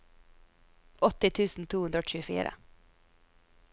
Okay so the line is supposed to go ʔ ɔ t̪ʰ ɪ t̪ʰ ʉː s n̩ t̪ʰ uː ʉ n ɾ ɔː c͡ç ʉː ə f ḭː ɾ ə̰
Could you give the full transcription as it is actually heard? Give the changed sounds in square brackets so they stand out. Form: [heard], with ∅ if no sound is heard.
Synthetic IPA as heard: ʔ ɔ [t̪] ɪ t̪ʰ ʉː s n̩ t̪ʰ uː ʉ n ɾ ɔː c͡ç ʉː ə f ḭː ɾ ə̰

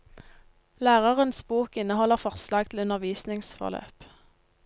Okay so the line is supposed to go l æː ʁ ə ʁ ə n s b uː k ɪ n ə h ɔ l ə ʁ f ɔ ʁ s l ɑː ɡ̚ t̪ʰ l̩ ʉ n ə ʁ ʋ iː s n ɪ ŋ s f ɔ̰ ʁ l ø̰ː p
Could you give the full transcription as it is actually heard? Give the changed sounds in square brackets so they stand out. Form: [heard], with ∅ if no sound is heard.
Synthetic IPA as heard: l æː ʁ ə ʁ ə n s b uː k ɪ n ə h ɔ l ə ʁ f ɔ ʁ s l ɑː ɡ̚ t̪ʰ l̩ ʉ n ə ʁ ʋ iː s n ɪ ŋ s f ɔ̰ ʁ l ø̰ː p

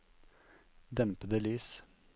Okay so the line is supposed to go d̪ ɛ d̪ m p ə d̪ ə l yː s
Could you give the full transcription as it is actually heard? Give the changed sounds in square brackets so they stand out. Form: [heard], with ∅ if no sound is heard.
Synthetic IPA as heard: d̪ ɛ [∅] m p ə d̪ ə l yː s

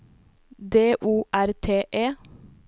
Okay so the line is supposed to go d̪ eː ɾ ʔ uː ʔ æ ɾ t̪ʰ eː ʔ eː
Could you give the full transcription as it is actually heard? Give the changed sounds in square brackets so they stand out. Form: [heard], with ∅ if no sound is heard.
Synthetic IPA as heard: d̪ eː [∅] ʔ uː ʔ æ ɾ t̪ʰ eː ʔ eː

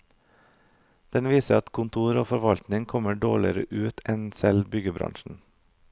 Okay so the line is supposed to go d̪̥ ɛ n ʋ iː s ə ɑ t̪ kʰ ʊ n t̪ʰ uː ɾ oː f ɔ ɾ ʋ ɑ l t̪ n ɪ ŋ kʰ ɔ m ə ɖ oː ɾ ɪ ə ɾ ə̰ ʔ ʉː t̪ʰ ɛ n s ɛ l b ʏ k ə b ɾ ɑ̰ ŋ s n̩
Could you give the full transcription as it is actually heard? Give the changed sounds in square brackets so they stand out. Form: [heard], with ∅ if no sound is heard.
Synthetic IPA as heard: d̪̥ ɛ n ʋ iː s ə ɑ t̪ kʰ ʊ n t̪ʰ uː ɾ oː f ɔ ɾ ʋ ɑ l t̪ n ɪ ŋ kʰ ɔ m ə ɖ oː [ɭ] ɪ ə ɾ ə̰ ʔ ʉː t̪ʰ ɛ n s ɛ l b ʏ [ɡ] ə b ɾ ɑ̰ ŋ [ʃ] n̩

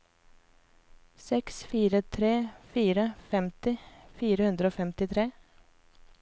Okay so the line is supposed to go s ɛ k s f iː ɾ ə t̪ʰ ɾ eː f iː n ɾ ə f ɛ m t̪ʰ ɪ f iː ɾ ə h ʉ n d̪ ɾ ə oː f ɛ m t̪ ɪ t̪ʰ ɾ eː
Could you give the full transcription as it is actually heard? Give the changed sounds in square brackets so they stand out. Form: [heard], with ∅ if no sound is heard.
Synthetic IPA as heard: s ɛ k s f iː ɾ ə t̪ʰ ɾ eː f iː [∅] ɾ ə f ɛ m [t̪] ɪ f iː ɾ ə h ʉ n d̪ ɾ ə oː f ɛ m t̪ ɪ t̪ʰ ɾ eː

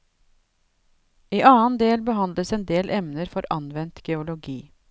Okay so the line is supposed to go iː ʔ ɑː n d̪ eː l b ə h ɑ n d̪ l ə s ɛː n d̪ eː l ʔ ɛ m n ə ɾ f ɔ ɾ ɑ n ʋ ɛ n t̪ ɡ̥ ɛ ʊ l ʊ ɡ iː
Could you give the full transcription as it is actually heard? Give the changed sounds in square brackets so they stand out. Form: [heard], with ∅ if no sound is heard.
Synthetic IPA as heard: iː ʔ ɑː n d̪ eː l b ə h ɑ n d̪ l ə s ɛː n d̪ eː l ʔ ɛ m n ə ɾ f ɔ ɾ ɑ n ʋ ɛ n t̪ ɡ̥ ɛ ʊ l ʊ ɡ iː

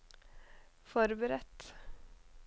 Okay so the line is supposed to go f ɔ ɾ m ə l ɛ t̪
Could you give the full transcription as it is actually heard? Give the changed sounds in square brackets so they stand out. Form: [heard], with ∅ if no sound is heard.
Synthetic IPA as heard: f ɔ ɾ [b] ə [ɾ] ɛ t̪

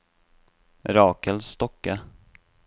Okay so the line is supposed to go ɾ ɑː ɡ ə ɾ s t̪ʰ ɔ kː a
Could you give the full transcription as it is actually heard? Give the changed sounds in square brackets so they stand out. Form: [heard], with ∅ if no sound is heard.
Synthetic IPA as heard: ɾ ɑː [k] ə [l] s [t̪] ɔ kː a

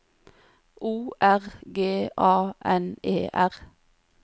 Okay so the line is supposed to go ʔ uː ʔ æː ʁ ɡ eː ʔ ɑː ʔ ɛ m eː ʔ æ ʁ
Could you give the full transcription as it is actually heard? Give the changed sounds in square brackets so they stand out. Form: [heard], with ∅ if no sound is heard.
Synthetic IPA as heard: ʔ uː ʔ [æ] ʁ ɡ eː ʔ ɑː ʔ ɛ [n] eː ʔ æ ʁ

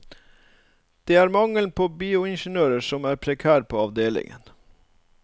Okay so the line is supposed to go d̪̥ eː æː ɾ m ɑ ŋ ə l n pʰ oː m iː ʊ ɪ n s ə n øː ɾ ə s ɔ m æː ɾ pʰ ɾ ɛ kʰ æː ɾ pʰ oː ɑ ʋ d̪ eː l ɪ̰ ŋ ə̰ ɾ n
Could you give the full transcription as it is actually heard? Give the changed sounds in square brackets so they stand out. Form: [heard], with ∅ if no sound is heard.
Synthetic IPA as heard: d̪̥ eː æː ɾ m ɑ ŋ ə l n pʰ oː [b] iː ʊ ɪ n [ʃ] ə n øː ɾ ə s ɔ m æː ɾ pʰ ɾ ɛ kʰ æː ɾ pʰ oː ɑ ʋ d̪ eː l ɪ̰ ŋ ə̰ [∅] n

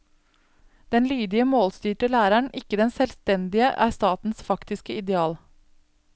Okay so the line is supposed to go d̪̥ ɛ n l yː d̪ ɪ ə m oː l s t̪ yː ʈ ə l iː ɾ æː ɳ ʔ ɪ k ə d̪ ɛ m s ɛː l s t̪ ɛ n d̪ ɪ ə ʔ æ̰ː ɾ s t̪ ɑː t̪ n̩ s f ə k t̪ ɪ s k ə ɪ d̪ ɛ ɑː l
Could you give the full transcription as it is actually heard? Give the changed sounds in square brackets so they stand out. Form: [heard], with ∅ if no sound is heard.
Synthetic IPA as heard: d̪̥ ɛ n l yː d̪ ɪ ə m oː l s t̪ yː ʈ ə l [æː] ɾ [æ] ɳ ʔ ɪ k ə d̪ ɛ [n] s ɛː l s t̪ ɛ n d̪ ɪ ə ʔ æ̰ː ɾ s t̪ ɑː t̪ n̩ s f [ɑ] k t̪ ɪ s k ə ɪ d̪ ɛ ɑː l

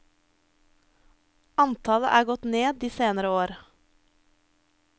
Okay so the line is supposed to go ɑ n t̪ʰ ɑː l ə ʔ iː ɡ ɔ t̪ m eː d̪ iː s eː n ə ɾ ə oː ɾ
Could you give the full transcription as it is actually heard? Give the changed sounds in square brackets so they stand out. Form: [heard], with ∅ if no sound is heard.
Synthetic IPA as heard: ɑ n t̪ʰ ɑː l ə ʔ [æː] ɡ ɔ t̪ [n] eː d̪ iː s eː n ə ɾ ə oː ɾ

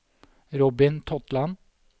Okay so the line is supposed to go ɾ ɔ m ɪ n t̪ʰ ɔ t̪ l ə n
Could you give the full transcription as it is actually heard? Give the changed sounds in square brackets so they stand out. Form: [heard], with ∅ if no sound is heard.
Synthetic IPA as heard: ɾ ɔ [b] ɪ n t̪ʰ ɔ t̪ l [ɑ] n

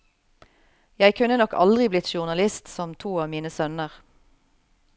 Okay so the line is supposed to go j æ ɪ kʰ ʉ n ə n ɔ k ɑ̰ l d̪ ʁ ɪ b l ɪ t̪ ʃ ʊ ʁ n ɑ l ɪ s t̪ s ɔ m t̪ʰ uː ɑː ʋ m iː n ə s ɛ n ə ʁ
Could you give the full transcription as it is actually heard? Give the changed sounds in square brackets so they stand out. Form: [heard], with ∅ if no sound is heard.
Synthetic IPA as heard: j æ ɪ kʰ ʉ n ə n ɔ k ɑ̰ l d̪ ʁ ɪ b l ɪ t̪ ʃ ʊ ʁ n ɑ l ɪ s t̪ s ɔ m t̪ʰ uː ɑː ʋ m iː n ə s [œ] n ə ʁ

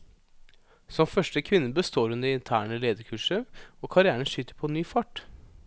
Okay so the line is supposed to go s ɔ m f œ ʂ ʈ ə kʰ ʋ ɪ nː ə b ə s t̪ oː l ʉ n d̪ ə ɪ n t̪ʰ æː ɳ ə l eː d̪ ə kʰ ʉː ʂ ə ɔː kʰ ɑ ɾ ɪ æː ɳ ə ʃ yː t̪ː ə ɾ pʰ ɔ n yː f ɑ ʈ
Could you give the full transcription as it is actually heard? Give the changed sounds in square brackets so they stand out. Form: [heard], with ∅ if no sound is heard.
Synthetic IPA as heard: s ɔ m f œ ʂ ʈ ə kʰ ʋ ɪ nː ə b ə s t̪ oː [ɾ] ʉ n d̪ ə ɪ n t̪ʰ æː ɳ ə l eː d̪ ə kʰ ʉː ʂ ə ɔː kʰ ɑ ɾ ɪ æː ɳ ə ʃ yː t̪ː ə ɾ pʰ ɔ n yː f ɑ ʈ

